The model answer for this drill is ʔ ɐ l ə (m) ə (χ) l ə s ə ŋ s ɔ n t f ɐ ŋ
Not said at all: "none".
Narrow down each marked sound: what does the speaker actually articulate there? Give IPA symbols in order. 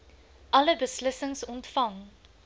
b, s

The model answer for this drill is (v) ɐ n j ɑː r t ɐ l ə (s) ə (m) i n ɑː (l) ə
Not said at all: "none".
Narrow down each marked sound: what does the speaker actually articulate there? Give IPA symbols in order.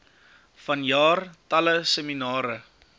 f, s, m, ɾ

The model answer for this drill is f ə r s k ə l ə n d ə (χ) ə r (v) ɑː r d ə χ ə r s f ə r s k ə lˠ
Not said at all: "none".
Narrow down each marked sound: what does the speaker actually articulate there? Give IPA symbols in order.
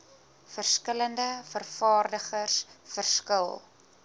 f, f

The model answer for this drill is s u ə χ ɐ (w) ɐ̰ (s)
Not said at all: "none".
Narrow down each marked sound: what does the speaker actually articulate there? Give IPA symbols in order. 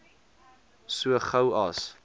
w, s

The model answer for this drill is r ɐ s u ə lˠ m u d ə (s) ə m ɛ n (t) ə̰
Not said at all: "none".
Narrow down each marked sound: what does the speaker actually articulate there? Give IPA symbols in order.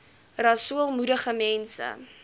χ, s

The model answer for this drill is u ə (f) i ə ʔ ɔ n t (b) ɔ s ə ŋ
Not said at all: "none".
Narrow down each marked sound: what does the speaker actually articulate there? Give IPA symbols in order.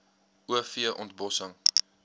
f, b

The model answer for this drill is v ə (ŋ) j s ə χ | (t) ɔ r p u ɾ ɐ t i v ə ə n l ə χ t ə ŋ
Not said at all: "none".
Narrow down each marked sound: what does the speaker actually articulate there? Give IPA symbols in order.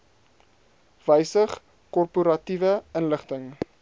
none, k

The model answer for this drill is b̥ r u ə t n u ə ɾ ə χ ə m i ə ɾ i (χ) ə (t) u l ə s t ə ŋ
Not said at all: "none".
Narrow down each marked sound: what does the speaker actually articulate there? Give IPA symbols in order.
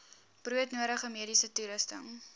s, t

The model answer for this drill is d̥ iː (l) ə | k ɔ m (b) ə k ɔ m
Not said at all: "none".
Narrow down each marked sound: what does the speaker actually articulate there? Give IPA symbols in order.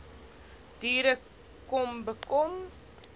ɾ, b

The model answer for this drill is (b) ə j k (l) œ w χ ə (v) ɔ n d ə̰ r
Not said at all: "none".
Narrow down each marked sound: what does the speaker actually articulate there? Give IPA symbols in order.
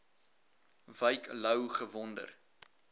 v, l, v

